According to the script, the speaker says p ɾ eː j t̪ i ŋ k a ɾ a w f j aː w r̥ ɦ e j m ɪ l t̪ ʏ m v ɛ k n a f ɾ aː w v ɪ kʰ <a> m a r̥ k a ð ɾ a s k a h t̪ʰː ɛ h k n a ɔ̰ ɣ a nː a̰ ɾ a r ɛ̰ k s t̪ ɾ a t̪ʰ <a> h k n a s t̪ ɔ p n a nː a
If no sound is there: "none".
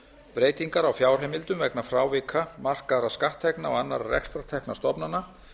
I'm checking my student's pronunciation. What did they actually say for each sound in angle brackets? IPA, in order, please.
a, ɛ

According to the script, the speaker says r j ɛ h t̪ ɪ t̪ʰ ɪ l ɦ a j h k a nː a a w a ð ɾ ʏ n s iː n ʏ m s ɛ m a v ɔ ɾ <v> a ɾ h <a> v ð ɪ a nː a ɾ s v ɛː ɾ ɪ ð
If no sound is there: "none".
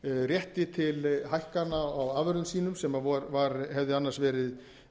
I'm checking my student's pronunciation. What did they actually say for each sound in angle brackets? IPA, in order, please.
v, ɛ

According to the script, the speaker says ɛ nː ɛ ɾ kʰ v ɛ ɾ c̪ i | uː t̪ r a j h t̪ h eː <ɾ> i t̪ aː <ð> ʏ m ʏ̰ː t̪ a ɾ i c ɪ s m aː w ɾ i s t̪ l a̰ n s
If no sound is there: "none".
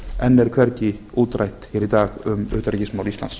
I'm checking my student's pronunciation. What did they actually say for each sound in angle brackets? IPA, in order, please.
ɾ, ɣ

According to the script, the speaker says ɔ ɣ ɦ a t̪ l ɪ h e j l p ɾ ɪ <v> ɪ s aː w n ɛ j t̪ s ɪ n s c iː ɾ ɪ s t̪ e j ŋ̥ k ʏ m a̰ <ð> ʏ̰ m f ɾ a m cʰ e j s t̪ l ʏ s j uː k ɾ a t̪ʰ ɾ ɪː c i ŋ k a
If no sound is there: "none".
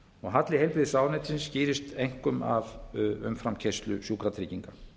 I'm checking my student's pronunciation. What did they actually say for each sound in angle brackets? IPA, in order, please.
ð, v

